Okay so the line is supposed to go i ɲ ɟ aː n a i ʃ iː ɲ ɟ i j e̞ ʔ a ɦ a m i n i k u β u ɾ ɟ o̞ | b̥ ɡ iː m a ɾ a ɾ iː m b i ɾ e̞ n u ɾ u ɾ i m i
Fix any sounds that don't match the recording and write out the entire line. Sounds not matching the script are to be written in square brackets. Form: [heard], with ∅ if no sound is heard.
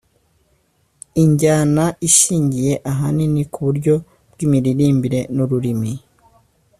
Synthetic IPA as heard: i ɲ ɟ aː n a i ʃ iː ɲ ɟ i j e̞ ʔ a ɦ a [n] i n i k u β u ɾ ɟ o̞ | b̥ ɡ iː m [i] ɾ [i] ɾ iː m b i ɾ e̞ n u ɾ u ɾ i m i